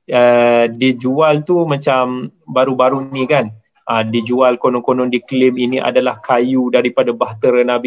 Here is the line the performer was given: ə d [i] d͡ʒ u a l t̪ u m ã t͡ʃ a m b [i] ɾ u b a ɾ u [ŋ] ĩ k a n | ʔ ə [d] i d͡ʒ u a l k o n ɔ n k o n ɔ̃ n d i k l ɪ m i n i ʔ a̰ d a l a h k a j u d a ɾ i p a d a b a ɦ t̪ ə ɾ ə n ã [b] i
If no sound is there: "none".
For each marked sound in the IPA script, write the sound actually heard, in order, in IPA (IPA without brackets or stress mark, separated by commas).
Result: i, a, n, d, b